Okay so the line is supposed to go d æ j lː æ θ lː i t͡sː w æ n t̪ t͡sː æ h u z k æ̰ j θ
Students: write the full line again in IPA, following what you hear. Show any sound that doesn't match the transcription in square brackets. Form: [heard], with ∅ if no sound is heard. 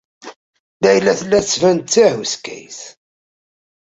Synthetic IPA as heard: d æ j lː æ θ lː [æ] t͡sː [v] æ n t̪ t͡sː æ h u [s] k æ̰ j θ